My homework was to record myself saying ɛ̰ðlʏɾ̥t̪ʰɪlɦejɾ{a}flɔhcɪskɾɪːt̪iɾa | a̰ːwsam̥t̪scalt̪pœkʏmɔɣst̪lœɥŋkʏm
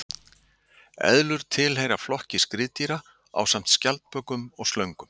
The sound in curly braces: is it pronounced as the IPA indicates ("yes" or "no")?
yes